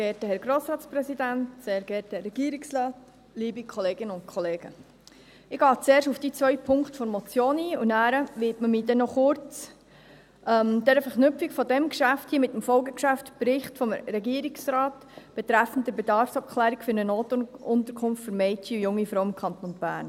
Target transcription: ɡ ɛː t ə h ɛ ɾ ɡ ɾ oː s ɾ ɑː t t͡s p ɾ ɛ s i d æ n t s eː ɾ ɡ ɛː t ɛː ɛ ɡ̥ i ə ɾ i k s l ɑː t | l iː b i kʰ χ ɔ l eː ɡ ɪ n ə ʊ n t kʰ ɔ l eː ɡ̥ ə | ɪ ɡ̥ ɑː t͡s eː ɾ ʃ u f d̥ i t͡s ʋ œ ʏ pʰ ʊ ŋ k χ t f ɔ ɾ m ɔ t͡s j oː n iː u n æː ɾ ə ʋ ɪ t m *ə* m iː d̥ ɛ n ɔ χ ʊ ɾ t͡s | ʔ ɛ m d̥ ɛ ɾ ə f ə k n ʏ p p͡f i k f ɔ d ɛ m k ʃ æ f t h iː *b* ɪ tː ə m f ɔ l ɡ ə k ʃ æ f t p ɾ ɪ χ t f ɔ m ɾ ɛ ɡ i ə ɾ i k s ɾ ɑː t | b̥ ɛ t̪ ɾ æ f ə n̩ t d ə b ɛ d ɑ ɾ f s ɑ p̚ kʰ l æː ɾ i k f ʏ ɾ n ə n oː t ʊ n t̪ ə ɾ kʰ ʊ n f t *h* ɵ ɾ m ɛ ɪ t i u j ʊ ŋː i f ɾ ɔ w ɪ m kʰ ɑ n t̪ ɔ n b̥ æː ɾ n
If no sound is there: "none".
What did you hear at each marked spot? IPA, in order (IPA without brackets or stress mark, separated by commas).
ə, m, f